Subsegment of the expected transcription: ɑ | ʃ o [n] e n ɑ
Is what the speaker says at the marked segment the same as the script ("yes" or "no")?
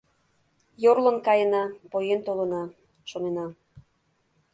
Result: yes